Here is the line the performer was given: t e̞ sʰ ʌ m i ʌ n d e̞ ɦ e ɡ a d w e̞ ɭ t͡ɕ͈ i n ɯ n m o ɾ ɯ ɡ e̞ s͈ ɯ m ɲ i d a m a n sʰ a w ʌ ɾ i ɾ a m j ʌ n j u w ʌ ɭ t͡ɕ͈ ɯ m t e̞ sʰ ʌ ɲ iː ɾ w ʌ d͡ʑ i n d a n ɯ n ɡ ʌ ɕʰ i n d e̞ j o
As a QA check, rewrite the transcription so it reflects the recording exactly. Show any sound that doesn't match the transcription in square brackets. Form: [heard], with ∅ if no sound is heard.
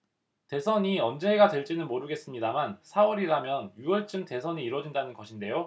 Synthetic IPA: t e̞ sʰ ʌ [ɲ] i ʌ n [d͡ʑ] e̞ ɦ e ɡ a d w e̞ ɭ t͡ɕ͈ i n ɯ n m o ɾ ɯ ɡ e̞ s͈ ɯ m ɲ i d a m a n sʰ a w ʌ ɾ i ɾ a m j ʌ n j u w ʌ ɭ t͡ɕ͈ ɯ m t e̞ sʰ ʌ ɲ iː ɾ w ʌ d͡ʑ i n d a n ɯ n ɡ ʌ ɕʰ i n d e̞ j o